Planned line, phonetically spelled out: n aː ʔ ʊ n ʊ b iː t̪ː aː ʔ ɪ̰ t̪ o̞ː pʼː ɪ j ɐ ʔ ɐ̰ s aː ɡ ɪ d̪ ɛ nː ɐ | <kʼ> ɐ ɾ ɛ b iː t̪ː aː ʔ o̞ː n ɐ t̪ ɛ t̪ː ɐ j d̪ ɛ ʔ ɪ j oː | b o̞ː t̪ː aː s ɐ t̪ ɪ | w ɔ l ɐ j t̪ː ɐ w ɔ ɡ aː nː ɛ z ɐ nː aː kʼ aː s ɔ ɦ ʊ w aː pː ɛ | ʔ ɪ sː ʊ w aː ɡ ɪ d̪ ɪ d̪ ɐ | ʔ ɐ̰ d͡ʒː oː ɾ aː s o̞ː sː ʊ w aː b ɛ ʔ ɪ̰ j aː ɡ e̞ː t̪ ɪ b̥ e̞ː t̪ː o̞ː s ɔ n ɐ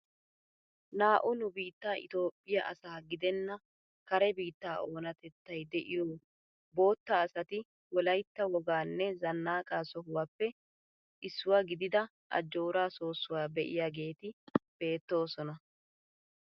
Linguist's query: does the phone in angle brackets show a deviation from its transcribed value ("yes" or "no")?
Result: yes